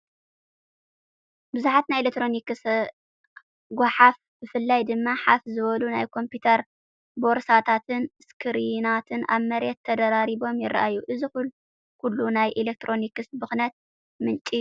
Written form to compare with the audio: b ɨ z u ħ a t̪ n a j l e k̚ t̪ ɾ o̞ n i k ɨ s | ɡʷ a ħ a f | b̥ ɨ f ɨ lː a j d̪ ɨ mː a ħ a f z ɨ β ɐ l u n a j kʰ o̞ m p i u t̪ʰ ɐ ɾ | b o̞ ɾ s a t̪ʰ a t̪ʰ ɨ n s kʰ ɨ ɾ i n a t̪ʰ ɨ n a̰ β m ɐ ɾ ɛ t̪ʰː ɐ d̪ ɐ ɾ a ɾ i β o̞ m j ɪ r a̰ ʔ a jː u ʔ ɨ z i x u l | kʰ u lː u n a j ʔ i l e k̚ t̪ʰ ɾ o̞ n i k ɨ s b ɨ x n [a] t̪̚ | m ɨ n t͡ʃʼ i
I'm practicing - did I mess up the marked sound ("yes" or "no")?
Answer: yes